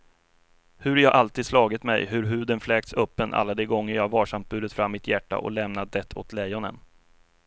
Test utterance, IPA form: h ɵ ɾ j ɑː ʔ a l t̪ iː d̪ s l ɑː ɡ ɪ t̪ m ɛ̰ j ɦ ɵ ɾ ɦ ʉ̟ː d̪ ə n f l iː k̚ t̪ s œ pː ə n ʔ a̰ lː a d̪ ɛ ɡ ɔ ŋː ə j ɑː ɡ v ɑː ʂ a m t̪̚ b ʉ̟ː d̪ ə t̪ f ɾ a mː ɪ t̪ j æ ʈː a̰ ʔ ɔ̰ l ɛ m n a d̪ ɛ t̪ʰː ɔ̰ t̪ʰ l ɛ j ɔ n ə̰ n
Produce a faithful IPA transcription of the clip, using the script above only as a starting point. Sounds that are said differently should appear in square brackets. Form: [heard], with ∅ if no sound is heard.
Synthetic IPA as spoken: h ɵ ɾ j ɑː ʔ a l t̪ iː d̪ s l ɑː ɡ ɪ t̪ m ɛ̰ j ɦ ɵ ɾ ɦ ʉ̟ː d̪ ə n f l [ɛː] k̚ t̪ s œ pː ə n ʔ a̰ lː a d̪ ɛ ɡ ɔ ŋː ə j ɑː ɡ v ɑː ʂ a m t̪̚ b ʉ̟ː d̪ ə t̪ f ɾ a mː ɪ t̪ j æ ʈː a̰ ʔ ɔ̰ l ɛ m n a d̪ ɛ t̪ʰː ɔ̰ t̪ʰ l ɛ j ɔ n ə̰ n